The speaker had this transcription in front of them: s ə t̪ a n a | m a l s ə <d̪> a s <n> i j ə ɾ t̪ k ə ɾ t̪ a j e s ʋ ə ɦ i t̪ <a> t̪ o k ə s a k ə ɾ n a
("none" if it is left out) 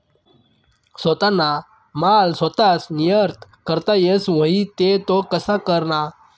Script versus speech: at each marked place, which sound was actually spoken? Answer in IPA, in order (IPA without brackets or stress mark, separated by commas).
t̪, n, e